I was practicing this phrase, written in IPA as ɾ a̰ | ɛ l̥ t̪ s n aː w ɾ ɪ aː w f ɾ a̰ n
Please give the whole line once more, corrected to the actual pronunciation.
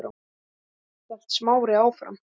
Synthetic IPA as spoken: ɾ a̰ | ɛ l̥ t̪ s m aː w ɾ ɪ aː w f ɾ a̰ m

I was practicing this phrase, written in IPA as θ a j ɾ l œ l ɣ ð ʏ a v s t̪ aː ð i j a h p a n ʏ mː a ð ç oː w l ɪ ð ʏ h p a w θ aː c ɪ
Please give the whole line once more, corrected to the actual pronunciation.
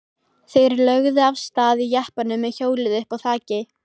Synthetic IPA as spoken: θ e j ɾ l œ ɣ ð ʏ a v s t̪ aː ð i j a h p a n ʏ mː ɛ ð ç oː w l ɪ ð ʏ h p a w θ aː c ɪ

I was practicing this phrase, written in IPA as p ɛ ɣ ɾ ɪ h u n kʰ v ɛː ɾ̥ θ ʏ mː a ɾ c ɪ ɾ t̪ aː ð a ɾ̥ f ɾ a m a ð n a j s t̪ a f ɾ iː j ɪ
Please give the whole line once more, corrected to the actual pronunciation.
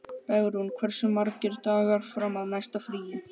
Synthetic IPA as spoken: p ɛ ɣ ɾ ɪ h u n kʰ v ɛ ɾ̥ s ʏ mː a ɾ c ɪ ɾ t̪ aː ɣ a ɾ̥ f ɾ a m a ð n a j s t̪ a f ɾ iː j ɪ

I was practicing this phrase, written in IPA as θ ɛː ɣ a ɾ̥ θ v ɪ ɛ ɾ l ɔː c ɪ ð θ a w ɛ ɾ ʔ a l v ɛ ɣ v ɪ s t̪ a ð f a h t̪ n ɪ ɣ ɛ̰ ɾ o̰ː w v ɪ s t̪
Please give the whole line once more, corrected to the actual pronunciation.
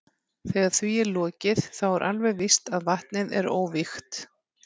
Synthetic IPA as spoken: θ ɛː ɣ a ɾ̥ θ v i ɛ ɾ l ɔː c ɪ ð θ a w ɛ ɾ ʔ a l v ɛ ɣ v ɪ s t̪ a ð v a h t̪ n ɪ ð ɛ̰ ɾ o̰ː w v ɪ x t̪

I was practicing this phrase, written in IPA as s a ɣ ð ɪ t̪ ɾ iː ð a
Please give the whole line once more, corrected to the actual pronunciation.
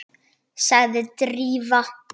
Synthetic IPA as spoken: s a ɣ ð ɪ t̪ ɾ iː v a

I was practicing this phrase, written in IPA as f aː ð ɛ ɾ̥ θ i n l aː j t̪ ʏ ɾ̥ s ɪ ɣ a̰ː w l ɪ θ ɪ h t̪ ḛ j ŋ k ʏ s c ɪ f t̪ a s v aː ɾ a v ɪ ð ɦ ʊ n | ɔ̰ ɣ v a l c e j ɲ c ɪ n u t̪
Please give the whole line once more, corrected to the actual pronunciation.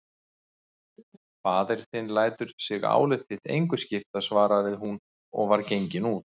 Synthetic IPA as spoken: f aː ð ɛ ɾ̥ θ ɪ n l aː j t̪ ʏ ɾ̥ s ɪ ɣ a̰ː w l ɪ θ ɪ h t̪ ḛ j ŋ k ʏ s c ɪ f t̪ a s v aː ɾ a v ɪ ð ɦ u n | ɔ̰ ɣ v a ɾ c e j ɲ c ɪ n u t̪

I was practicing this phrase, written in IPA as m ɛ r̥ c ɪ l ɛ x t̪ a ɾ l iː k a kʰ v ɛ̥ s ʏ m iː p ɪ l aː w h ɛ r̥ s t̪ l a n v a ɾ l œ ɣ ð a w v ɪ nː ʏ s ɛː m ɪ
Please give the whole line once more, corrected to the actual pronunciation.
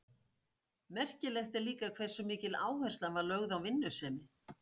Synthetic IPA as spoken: m ɛ r̥ c ɪ l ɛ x t̪ ɛ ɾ l iː k a kʰ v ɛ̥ s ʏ m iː c ɪ l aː w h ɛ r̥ s t̪ l a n v a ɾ l œ ɣ ð a w v ɪ nː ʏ s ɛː m ɪ

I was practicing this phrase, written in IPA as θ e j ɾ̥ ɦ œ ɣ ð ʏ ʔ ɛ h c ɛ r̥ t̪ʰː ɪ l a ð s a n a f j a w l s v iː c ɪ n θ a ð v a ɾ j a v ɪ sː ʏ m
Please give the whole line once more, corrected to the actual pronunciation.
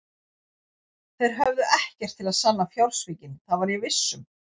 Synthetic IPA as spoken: θ e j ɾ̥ ɦ œ v ð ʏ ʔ ɛ h c ɛ r̥ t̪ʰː ɪ l a ð s a nː a f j a w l s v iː c ɪ n θ a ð v a ɾ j ɛ v ɪ sː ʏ m

